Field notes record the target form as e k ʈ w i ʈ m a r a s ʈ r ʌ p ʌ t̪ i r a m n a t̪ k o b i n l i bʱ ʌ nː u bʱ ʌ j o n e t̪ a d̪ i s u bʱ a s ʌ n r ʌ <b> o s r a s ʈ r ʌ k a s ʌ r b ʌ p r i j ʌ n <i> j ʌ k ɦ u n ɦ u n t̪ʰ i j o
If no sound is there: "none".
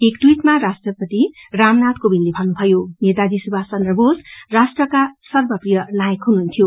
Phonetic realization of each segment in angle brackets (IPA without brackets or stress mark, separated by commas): b, a